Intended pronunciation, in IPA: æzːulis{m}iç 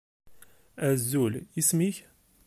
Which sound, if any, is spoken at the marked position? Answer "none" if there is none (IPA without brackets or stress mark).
m